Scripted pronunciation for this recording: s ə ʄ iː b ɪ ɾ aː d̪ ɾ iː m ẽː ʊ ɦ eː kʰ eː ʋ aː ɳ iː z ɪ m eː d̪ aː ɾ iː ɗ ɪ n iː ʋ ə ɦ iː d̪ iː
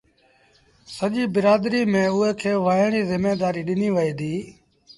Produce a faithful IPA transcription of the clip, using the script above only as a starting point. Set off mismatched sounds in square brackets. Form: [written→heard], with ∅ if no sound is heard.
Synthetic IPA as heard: s ə ʄ iː b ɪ ɾ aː d̪ ɾ iː m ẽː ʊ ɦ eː kʰ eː ʋ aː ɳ iː z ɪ m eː d̪ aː ɾ iː ɗ ɪ n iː ʋ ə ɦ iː d̪ iː